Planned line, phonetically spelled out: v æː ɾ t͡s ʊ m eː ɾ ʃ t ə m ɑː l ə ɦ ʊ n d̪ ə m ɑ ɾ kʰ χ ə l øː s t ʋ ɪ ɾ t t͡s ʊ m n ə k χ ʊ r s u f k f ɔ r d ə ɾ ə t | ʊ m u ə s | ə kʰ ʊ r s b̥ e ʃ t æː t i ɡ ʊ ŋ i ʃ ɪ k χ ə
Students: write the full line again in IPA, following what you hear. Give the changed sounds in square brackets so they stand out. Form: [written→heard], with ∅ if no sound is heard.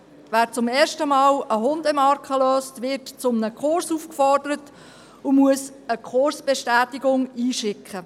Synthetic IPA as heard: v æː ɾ t͡s ʊ m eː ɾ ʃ t ə m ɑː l ə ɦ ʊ n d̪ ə m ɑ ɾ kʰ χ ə l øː s t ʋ ɪ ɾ t t͡s ʊ m n ə k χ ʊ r s u f k f ɔ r d ə ɾ ə t | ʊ m u ə s | ə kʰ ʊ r s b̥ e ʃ t æː t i ɡ ʊ ŋ [i→iː] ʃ ɪ k χ ə